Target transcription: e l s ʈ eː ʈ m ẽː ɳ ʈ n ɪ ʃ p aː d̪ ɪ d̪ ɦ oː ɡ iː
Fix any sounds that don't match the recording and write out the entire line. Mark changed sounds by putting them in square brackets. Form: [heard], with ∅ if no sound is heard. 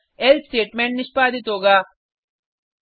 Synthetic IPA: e l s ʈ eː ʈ m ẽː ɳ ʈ n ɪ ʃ p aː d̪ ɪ [t̪] ɦ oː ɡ [aː]